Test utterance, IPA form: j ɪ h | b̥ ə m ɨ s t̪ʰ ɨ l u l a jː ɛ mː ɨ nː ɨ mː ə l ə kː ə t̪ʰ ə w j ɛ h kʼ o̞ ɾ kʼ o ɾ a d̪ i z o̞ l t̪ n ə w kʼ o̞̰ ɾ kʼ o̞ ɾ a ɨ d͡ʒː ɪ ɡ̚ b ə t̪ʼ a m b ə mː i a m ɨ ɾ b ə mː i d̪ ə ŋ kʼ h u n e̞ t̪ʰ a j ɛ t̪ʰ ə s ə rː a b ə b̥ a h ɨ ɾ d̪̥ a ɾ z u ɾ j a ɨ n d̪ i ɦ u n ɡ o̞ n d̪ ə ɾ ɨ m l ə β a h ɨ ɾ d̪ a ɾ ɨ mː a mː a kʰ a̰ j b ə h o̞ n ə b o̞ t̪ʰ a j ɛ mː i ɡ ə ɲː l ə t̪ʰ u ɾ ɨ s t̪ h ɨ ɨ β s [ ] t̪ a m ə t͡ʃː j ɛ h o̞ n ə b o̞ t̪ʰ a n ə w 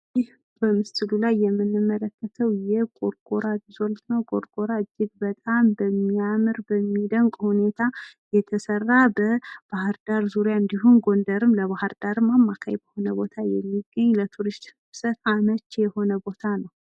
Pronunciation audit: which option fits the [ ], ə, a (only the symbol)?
ə